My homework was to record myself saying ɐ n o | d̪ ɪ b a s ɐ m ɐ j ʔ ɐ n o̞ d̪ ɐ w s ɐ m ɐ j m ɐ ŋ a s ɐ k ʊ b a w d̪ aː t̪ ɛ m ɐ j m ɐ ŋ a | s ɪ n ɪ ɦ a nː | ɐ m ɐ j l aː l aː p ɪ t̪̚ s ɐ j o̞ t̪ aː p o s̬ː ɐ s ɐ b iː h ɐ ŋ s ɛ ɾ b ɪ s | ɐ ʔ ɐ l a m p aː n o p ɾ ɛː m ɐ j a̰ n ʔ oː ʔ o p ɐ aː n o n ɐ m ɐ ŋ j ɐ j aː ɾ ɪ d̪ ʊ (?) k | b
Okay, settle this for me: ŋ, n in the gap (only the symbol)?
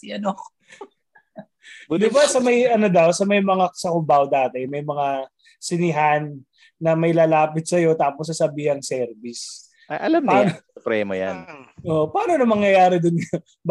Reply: n